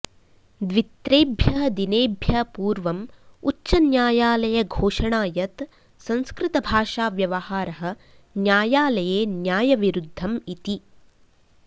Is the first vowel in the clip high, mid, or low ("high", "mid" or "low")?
high